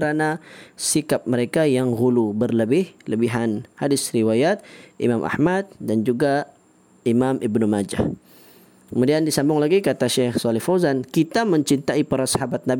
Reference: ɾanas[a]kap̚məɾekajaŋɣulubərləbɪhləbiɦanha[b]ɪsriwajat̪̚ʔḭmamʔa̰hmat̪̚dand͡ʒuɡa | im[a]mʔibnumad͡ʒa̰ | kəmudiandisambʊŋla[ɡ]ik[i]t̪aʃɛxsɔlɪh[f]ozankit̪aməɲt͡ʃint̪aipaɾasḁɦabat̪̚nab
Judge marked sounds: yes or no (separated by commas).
no, no, yes, yes, no, yes